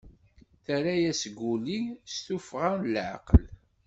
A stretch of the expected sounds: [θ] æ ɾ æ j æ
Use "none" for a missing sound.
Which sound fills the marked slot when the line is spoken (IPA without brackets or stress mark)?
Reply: θ